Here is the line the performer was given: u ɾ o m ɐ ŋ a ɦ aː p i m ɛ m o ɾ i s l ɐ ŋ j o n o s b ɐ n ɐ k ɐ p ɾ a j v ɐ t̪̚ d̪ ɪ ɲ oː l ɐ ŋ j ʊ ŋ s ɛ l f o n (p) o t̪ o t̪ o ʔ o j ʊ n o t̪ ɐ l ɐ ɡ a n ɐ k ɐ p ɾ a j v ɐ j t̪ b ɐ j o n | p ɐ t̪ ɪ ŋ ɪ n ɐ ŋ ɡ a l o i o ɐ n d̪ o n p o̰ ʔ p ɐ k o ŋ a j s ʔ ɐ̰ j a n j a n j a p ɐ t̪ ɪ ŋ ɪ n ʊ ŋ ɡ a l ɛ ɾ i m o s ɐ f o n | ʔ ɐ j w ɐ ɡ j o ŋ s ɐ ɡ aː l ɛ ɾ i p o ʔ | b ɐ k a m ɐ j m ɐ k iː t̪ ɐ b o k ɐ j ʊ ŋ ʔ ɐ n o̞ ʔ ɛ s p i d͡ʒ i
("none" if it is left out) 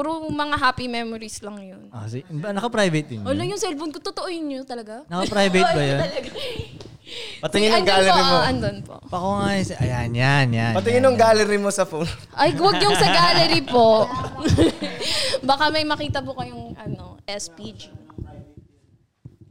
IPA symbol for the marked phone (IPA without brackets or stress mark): k